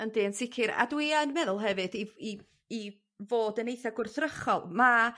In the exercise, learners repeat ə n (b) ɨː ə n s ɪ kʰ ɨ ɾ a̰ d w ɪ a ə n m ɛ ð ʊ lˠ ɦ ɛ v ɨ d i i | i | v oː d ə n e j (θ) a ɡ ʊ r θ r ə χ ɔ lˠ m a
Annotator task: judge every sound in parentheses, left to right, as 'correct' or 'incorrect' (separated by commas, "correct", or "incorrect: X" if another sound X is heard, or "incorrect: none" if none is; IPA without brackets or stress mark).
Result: incorrect: d, correct